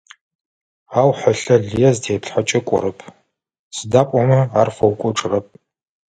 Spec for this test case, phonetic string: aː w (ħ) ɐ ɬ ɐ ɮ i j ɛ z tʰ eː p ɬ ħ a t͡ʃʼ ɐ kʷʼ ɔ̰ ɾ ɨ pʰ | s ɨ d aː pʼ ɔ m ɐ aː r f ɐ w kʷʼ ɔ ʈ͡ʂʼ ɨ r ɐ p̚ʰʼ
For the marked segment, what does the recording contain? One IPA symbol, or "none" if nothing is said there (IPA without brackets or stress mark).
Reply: ħ